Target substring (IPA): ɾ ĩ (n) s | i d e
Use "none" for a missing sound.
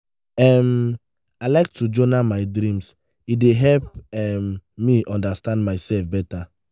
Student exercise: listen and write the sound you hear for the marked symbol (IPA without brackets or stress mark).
m